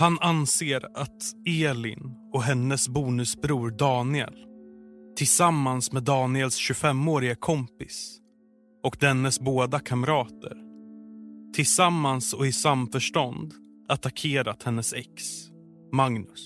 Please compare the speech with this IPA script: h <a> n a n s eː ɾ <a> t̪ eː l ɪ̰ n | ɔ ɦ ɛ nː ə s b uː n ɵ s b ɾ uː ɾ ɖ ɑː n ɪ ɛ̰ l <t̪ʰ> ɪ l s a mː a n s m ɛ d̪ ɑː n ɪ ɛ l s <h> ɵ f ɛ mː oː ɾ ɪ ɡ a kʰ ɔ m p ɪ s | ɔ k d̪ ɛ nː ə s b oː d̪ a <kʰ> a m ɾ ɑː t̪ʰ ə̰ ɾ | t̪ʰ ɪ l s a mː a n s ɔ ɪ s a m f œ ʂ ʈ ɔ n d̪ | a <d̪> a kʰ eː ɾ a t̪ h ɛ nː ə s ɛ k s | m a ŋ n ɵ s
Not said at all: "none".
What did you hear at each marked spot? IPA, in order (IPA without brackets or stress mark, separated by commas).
a, a, t̪ʰ, ɕ, kʰ, t̪